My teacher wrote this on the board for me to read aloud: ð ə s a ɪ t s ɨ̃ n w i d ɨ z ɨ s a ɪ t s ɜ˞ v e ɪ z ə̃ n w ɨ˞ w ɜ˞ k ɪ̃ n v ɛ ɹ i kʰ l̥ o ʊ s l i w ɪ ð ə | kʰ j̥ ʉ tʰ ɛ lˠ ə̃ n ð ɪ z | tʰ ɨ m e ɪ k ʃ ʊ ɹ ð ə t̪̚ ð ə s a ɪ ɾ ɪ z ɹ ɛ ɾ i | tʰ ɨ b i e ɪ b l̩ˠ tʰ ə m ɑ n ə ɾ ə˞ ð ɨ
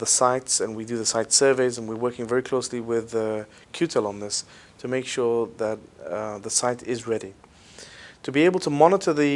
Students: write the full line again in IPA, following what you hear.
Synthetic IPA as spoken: ð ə s a ɪ t s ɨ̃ n w i d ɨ ð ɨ s a ɪ t s ɜ˞ v e ɪ z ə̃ n w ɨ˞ w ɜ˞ k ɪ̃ ŋ v ɛ ɹ i kʰ l̥ o ʊ s l i w ɪ ð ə | kʰ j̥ ʉ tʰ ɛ lˠ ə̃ n ð ɪ s | tʰ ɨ m e ɪ k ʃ ʊ ɹ ð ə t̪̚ ð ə s a ɪ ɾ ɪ z ɹ ɛ ɾ i | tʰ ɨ b i e ɪ b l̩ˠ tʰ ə m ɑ n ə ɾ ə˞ ð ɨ